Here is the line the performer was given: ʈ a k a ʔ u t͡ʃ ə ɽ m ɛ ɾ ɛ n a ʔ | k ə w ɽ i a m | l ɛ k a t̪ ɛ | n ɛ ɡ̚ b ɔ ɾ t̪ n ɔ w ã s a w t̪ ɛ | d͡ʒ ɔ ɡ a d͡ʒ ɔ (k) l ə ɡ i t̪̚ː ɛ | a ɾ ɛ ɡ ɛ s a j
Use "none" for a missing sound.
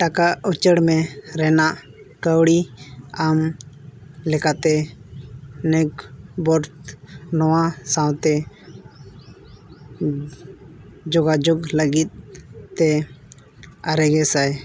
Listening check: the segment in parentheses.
ɡ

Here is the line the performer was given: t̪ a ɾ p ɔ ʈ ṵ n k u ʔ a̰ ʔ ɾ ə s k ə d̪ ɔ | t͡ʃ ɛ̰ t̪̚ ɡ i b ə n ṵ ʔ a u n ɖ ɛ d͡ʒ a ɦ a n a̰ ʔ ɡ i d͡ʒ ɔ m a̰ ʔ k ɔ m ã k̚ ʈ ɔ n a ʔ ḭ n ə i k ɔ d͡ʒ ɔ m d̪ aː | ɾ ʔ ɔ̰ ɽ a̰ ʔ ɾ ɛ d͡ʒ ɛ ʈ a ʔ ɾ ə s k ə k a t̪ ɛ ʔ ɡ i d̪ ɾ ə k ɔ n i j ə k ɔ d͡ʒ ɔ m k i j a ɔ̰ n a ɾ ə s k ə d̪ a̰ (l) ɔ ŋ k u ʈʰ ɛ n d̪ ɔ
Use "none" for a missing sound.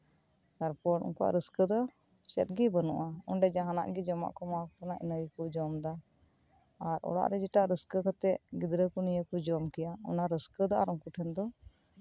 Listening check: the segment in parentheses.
ɾ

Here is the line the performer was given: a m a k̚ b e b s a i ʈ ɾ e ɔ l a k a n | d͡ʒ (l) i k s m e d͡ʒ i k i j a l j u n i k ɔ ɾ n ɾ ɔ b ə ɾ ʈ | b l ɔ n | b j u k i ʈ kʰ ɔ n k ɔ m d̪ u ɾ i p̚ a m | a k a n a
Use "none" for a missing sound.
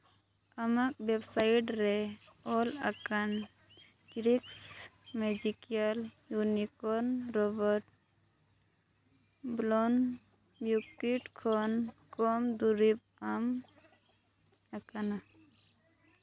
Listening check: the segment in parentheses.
ɾ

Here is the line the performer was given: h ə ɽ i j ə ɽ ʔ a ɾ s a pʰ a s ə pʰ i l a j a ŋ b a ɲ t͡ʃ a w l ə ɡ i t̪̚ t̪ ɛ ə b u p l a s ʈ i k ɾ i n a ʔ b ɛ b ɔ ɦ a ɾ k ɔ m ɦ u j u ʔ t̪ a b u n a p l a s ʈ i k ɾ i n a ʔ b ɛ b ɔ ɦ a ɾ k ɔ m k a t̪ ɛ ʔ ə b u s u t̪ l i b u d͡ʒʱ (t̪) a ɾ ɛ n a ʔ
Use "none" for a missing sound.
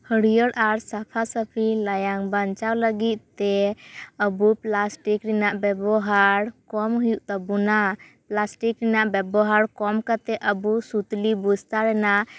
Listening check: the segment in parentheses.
t̪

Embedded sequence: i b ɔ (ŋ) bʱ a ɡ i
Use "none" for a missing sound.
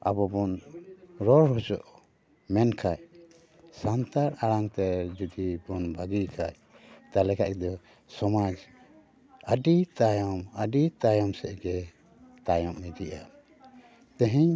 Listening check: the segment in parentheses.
n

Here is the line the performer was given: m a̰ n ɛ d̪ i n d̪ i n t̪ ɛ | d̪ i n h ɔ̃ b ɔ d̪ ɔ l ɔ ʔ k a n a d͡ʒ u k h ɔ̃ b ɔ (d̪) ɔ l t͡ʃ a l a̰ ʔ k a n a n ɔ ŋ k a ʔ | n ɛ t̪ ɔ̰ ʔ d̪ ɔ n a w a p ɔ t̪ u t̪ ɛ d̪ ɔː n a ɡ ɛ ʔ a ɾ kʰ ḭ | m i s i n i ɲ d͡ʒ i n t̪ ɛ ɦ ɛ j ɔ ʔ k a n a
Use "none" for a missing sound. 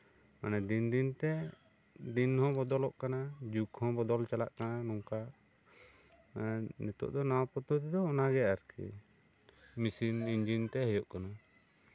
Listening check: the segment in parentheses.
d̪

